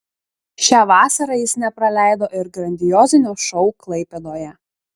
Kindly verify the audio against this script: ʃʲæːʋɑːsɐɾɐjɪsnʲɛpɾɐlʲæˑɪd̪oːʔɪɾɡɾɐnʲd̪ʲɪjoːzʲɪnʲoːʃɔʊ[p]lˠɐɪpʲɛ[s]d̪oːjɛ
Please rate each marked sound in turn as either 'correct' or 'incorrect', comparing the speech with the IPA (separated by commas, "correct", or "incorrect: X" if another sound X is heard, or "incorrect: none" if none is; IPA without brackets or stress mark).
incorrect: k, incorrect: none